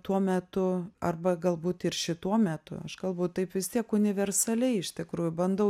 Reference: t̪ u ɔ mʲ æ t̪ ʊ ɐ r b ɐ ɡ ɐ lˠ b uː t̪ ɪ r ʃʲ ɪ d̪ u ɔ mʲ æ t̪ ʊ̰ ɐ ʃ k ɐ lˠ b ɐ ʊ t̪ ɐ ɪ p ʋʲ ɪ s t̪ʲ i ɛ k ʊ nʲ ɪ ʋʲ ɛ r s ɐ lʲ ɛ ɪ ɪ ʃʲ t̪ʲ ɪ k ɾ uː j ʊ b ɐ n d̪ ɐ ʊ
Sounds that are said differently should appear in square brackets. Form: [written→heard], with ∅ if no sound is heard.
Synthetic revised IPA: t̪ u ɔ mʲ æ t̪ ʊ ɐ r b ɐ ɡ ɐ lˠ b uː t̪ ɪ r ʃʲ ɪ [d̪→t̪] u ɔ mʲ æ t̪ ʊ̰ ɐ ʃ k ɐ lˠ b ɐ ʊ t̪ ɐ ɪ p ʋʲ ɪ s t̪ʲ i ɛ k ʊ nʲ ɪ ʋʲ ɛ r s ɐ lʲ ɛ ɪ ɪ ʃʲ t̪ʲ ɪ k ɾ uː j ʊ b ɐ n d̪ ɐ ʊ

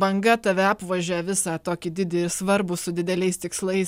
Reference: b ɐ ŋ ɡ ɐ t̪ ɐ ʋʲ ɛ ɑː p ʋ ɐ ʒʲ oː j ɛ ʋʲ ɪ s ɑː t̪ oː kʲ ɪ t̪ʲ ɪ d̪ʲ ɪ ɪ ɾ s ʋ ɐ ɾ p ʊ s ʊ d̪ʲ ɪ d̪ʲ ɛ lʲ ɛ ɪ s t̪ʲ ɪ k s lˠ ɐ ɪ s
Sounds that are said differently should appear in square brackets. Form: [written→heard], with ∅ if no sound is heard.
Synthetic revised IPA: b ɐ ŋ ɡ ɐ t̪ ɐ ʋʲ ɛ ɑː p ʋ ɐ ʒʲ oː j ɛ ʋʲ ɪ s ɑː t̪ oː kʲ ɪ [t̪ʲ→d̪ʲ] ɪ d̪ʲ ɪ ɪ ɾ s ʋ ɐ ɾ [p→b] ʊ s ʊ d̪ʲ ɪ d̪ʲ ɛ lʲ ɛ ɪ s t̪ʲ ɪ k s lˠ ɐ ɪ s

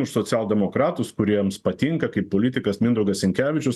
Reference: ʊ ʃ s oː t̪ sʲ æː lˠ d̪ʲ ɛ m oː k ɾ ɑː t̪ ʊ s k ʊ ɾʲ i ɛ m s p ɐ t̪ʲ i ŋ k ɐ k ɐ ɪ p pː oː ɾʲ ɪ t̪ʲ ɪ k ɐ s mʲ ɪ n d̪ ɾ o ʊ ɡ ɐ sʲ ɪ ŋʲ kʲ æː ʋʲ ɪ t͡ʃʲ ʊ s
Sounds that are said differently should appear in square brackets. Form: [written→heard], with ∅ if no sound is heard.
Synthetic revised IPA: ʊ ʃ s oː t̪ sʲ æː lˠ d̪ʲ ɛ m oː k ɾ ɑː t̪ ʊ s k ʊ ɾʲ i ɛ m s p ɐ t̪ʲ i ŋ k ɐ k ɐ ɪ p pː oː [ɾʲ→lʲ] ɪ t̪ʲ ɪ k ɐ s mʲ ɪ n d̪ ɾ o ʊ ɡ ɐ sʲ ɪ ŋʲ kʲ æː ʋʲ ɪ t͡ʃʲ ʊ s

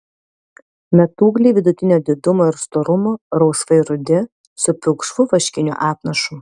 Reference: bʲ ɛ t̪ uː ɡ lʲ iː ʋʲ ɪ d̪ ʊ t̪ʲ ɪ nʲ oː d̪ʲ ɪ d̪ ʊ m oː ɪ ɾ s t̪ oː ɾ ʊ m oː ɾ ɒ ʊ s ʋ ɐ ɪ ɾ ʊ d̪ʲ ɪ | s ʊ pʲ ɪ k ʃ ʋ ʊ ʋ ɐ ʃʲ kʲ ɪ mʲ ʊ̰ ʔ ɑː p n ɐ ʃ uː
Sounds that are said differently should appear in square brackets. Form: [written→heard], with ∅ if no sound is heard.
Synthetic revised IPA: [bʲ→mʲ] ɛ t̪ uː ɡ lʲ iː ʋʲ ɪ d̪ ʊ t̪ʲ ɪ nʲ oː d̪ʲ ɪ d̪ ʊ m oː ɪ ɾ s t̪ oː ɾ ʊ m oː ɾ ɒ ʊ s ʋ ɐ ɪ ɾ ʊ d̪ʲ ɪ | s ʊ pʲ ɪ k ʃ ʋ ʊ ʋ ɐ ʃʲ kʲ ɪ [mʲ→nʲ] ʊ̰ ʔ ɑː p n ɐ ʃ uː

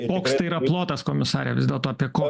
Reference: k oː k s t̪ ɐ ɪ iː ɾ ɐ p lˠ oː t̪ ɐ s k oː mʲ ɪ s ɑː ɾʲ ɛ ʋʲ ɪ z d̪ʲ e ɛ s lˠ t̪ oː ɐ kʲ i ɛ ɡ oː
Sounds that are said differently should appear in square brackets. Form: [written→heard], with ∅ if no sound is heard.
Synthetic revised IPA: k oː k s t̪ ɐ ɪ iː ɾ ɐ p lˠ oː t̪ ɐ s k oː mʲ ɪ s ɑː ɾʲ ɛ ʋʲ ɪ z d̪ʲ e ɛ [s→∅] lˠ t̪ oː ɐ [kʲ→pʲ] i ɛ [ɡ→k] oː

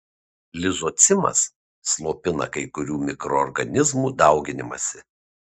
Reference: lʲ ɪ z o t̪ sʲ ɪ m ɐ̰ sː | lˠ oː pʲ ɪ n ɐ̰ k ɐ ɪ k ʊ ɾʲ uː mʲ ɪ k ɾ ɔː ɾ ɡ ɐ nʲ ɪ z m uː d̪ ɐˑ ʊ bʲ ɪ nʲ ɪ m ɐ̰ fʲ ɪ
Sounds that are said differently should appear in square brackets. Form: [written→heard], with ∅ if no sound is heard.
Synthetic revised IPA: lʲ ɪ z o t̪ sʲ ɪ m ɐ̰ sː | lˠ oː pʲ ɪ n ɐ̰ k ɐ ɪ k ʊ ɾʲ uː mʲ ɪ k ɾ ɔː ɾ ɡ ɐ nʲ ɪ z m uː d̪ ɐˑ ʊ [bʲ→ɡʲ] ɪ nʲ ɪ m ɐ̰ [fʲ→sʲ] ɪ

